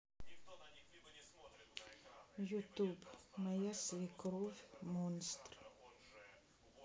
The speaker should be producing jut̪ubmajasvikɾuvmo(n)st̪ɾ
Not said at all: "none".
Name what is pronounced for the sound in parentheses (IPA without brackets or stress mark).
n